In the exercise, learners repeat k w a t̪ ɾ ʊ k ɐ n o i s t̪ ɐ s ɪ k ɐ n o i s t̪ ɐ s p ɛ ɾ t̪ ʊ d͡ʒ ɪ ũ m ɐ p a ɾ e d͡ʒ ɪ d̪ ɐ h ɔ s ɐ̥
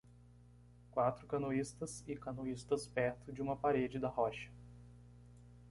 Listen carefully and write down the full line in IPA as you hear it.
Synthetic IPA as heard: k w a t̪ ɾ ʊ k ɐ n o i s t̪ ɐ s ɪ k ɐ n o i s t̪ ɐ s p ɛ ɾ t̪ ʊ d͡ʒ ɪ ũ m ɐ p a ɾ e d͡ʒ ɪ d̪ ɐ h ɔ ʃ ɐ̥